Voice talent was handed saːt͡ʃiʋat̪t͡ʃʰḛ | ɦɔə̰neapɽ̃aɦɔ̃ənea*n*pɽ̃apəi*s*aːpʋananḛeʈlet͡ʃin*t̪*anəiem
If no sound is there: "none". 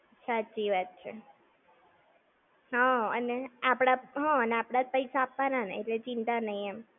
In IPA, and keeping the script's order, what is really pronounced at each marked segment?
none, s, t̪

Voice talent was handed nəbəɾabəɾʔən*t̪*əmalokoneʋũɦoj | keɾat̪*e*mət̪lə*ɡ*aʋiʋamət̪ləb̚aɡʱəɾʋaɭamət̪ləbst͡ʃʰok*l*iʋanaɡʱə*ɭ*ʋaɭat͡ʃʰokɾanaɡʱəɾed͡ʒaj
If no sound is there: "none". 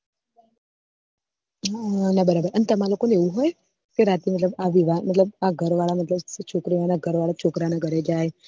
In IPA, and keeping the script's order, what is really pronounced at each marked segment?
t̪, i, b, ɾ, ɾ

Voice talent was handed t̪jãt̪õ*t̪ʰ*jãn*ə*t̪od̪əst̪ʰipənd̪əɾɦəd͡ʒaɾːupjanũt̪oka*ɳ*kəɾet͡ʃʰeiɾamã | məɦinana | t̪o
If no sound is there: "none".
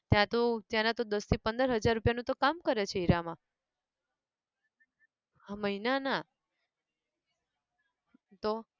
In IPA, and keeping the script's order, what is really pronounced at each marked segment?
t̪, a, m

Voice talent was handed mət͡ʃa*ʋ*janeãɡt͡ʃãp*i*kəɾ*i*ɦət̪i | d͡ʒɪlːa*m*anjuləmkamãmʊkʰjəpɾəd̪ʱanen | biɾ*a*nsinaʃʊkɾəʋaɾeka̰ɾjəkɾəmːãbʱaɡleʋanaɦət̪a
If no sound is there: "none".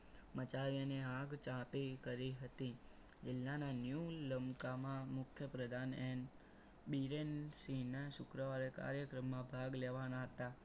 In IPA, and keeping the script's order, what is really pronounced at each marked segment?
ʋ, i, i, n, e

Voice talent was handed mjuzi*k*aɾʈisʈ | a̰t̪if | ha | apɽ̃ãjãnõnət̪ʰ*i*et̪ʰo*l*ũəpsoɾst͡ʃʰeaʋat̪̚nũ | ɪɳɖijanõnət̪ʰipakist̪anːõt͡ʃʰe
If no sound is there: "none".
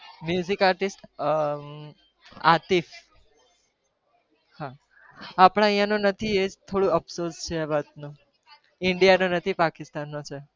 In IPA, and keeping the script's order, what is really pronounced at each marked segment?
k, i, ɽ

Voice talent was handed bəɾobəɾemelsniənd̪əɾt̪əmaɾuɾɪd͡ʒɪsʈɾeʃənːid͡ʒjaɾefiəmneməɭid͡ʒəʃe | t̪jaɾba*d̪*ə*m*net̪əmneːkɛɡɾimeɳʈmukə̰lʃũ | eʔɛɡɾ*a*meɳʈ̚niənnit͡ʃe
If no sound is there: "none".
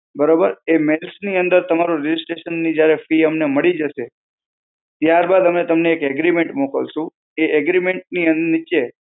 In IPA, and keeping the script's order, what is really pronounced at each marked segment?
d̪, m, i

